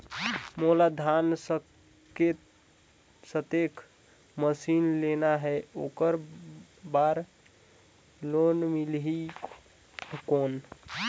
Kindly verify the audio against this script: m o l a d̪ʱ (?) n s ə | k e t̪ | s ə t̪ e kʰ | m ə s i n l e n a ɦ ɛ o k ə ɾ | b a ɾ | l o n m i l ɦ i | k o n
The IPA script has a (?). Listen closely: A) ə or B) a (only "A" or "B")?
B